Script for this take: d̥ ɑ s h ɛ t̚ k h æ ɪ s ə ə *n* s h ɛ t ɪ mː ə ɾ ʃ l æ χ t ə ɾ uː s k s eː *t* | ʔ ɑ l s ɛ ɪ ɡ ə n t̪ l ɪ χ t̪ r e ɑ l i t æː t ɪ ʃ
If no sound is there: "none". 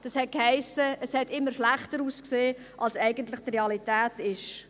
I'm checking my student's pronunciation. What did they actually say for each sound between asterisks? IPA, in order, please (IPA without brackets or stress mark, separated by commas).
none, none